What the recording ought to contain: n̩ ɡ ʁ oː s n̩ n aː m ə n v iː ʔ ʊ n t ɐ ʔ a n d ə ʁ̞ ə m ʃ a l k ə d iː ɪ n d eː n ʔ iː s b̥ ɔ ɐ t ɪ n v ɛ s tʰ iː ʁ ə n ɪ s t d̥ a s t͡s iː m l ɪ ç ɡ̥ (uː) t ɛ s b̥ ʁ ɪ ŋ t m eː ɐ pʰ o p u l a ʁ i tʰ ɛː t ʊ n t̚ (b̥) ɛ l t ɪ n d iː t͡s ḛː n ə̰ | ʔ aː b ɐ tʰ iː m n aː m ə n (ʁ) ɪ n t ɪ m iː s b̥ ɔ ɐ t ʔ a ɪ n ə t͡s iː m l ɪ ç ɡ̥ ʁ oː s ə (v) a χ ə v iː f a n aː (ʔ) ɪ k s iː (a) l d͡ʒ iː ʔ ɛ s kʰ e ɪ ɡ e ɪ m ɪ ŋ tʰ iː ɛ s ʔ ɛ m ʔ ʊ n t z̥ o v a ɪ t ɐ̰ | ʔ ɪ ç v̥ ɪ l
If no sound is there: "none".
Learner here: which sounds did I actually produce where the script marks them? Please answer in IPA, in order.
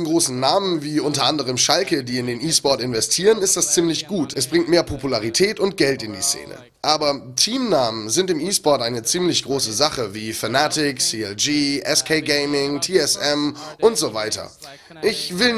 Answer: uː, ɡ̥, z, z, t, ɛ

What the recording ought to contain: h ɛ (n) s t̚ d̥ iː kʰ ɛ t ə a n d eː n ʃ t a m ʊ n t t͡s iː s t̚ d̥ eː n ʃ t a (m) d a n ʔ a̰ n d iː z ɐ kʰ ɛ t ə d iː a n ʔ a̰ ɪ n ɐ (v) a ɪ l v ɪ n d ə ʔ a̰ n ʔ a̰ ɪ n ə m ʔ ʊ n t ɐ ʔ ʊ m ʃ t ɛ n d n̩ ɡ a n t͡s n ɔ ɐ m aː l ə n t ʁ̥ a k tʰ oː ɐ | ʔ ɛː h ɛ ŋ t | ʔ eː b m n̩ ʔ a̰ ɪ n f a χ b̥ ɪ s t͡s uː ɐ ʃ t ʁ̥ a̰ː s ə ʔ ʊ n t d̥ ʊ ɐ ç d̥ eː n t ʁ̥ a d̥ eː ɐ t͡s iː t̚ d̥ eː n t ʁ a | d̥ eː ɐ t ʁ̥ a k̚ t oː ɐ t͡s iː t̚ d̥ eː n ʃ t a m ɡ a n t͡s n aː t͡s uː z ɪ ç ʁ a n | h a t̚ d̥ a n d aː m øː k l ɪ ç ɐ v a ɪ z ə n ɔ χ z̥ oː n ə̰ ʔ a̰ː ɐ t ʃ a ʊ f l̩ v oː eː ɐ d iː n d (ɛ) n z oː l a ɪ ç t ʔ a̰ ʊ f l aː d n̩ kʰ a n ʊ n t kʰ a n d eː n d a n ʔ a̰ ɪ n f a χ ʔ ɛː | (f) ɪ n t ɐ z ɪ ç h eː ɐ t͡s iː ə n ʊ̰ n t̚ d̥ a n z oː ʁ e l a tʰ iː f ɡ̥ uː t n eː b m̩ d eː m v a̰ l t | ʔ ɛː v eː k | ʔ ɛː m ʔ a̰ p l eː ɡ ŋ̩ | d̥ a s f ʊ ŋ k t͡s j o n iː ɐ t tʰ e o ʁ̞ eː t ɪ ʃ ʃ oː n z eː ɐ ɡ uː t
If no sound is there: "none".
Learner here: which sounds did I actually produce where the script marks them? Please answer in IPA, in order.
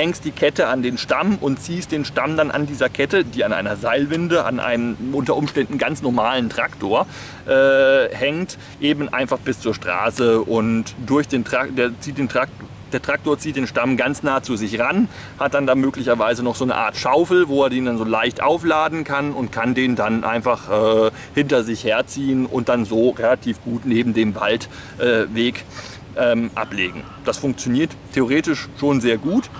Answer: ŋ, m, z, a, h

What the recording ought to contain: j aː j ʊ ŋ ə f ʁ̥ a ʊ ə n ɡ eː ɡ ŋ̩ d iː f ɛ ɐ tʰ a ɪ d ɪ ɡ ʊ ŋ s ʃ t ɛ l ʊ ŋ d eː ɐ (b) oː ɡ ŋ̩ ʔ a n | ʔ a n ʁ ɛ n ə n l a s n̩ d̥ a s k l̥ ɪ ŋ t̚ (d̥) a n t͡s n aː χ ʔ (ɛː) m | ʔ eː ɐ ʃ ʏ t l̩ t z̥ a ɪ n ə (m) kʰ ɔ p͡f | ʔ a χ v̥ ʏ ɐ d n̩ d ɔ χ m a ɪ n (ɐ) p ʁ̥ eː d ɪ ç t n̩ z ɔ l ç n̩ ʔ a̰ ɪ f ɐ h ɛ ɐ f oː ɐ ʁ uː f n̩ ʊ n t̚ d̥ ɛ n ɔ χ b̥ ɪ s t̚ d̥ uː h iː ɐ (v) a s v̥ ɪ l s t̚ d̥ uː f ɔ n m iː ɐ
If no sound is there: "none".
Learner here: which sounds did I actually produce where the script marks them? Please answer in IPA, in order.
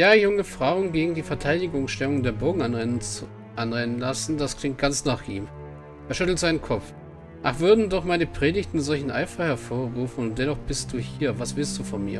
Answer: b, ɡ̥, iː, n, ə, v

